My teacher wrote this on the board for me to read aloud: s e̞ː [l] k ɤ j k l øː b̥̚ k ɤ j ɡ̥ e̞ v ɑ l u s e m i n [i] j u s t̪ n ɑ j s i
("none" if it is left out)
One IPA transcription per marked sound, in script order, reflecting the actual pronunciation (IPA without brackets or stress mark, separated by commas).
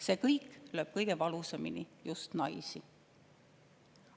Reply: none, i